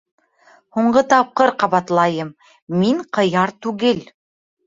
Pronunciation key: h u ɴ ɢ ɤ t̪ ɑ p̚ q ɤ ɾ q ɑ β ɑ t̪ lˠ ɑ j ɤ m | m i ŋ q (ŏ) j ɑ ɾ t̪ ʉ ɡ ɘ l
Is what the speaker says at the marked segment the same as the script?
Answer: no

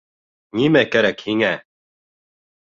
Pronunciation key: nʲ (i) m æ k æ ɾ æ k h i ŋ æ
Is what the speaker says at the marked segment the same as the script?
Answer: yes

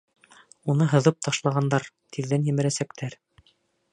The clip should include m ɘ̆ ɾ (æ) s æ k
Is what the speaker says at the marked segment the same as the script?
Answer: yes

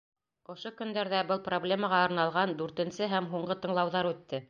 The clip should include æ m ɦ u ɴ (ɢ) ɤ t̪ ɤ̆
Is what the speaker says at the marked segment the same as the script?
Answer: yes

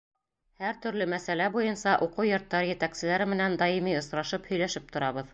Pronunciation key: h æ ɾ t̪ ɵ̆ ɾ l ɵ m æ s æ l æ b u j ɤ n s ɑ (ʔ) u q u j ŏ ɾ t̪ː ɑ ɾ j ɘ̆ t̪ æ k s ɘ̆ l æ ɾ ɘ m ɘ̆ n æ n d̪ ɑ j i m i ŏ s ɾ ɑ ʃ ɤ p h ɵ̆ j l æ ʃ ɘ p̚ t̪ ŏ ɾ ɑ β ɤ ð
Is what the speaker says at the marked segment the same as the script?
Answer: yes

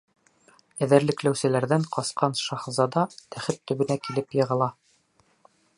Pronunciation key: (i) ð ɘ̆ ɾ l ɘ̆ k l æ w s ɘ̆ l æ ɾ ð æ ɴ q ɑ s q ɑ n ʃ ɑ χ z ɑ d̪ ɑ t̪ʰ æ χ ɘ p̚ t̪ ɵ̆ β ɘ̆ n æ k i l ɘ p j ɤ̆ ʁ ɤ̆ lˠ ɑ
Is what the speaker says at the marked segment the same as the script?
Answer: no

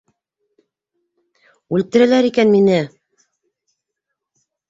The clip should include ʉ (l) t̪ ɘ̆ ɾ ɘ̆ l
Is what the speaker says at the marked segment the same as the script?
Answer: yes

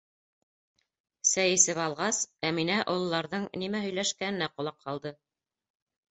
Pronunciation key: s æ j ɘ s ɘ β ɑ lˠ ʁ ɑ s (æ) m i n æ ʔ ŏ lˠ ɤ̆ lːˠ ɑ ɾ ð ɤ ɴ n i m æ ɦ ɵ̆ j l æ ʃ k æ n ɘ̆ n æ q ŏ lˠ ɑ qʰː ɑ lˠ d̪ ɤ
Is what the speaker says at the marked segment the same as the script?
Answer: yes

